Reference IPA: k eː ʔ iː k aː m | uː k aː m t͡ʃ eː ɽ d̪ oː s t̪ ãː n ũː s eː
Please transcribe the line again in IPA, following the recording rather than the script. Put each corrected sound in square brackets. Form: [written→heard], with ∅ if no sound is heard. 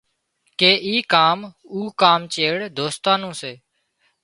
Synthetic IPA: k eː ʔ iː k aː m | uː k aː m t͡ʃ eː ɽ d̪ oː s t̪ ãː n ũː s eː